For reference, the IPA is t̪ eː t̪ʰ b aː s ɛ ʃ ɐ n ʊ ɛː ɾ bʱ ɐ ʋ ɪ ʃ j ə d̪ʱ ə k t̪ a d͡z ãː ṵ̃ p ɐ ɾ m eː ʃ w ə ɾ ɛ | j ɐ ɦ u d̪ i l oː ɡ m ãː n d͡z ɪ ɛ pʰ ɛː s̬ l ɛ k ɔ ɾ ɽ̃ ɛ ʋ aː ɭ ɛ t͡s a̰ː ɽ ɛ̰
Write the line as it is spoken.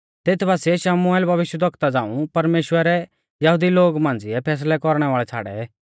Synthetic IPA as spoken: t̪ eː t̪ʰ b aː s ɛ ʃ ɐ m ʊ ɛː l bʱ ɐ ʋ ɪ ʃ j ə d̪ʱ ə k t̪ a d͡z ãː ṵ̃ p ɐ ɾ m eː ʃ w ə ɾ ɛ | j ɐ ɦ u d̪ i l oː ɡ m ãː n d͡z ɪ ɛ pʰ ɛː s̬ l ɛ k ɔ ɾ ɽ̃ ɛ ʋ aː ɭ ɛ t͡sʰ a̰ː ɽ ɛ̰